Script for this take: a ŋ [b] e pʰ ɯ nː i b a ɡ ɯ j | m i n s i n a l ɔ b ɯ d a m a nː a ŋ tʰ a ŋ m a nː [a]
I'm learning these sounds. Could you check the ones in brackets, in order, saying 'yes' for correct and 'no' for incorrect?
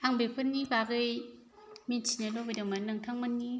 yes, no

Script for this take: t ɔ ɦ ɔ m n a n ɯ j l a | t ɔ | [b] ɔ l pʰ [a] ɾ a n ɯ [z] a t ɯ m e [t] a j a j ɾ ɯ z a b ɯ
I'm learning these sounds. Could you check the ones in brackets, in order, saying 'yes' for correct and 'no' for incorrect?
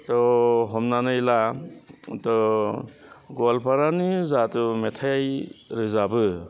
no, yes, yes, no

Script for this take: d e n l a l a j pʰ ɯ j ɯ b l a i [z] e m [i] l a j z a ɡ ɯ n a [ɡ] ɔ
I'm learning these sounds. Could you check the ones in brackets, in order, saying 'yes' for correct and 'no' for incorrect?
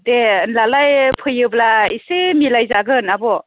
no, yes, no

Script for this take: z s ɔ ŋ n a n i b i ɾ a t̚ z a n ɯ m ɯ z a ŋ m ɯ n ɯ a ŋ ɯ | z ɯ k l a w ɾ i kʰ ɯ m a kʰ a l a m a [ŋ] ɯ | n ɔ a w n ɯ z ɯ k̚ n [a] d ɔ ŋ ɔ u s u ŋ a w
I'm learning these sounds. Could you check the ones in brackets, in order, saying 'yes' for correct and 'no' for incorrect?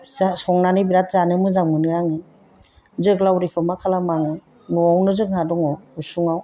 yes, yes

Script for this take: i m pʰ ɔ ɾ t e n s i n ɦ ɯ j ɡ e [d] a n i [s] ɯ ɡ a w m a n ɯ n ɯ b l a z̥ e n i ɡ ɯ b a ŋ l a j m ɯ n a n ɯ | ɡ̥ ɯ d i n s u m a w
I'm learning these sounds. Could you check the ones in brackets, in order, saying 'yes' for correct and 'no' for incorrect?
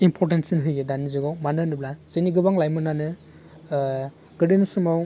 yes, no

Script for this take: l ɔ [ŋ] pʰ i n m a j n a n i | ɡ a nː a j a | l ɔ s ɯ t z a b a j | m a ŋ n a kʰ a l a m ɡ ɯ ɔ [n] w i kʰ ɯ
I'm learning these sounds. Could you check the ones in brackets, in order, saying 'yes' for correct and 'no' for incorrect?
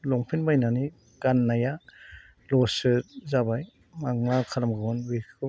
yes, yes

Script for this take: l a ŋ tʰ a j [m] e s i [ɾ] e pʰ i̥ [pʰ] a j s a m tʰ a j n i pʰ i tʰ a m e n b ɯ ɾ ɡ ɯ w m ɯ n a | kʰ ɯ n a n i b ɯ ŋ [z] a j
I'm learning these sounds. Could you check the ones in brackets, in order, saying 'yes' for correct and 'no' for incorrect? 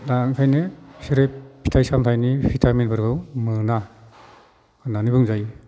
no, yes, no, yes

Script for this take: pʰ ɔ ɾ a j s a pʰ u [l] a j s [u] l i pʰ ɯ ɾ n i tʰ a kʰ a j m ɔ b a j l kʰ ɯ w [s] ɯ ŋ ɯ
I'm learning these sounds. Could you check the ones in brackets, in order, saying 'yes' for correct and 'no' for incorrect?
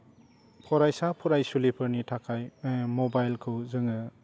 no, yes, no

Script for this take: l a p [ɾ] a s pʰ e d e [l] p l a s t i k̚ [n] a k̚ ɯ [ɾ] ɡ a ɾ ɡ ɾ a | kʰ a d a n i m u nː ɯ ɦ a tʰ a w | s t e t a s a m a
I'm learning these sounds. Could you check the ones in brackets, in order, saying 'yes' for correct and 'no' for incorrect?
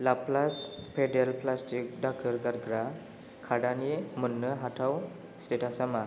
no, yes, no, yes

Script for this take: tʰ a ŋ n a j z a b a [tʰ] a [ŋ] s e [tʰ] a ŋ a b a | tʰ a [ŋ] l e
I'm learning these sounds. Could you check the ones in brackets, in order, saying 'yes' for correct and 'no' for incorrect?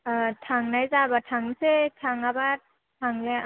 yes, yes, yes, yes

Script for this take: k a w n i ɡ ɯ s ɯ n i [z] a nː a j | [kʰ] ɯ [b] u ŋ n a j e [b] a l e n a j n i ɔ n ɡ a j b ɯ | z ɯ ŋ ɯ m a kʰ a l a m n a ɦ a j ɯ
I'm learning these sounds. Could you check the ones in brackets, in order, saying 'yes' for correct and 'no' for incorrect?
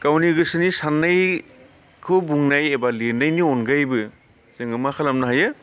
no, yes, yes, yes

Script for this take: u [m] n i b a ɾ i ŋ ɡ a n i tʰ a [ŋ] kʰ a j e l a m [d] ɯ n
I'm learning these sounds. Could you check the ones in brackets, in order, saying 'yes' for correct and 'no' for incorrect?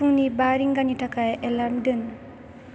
no, no, yes

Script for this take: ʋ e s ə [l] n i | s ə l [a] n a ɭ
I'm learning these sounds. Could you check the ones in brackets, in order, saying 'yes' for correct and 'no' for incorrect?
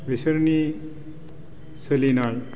no, no

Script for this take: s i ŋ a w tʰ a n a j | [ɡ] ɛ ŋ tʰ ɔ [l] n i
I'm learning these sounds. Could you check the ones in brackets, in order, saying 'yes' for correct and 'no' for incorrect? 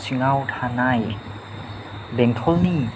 no, yes

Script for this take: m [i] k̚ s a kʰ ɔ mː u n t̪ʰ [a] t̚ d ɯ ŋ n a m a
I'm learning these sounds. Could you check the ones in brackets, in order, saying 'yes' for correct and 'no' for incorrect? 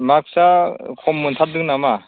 no, yes

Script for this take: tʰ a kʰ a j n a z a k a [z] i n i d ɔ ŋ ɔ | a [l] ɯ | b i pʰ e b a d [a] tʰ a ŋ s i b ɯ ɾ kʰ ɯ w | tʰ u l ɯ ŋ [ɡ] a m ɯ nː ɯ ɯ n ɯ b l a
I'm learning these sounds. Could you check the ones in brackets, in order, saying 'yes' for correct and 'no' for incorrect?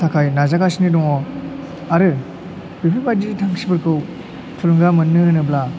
no, no, no, yes

